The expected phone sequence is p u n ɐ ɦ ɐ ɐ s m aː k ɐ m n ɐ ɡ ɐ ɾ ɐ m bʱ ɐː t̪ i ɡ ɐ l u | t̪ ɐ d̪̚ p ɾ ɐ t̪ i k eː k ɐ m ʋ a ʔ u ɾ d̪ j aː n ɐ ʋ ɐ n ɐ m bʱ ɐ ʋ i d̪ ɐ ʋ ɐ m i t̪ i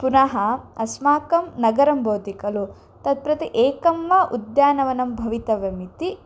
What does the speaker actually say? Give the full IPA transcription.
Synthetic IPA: p u n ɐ ɦ ɐ ɐ s m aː k ɐ m n ɐ ɡ ɐ ɾ ɐ m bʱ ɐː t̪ i k ɐ l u | t̪ ɐ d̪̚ p ɾ ɐ t̪ i ʔ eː k ɐ m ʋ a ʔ u d̪ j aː n ɐ ʋ ɐ n ɐ m bʱ ɐ ʋ i t̪ ɐ ʋ ɐ m i t̪ i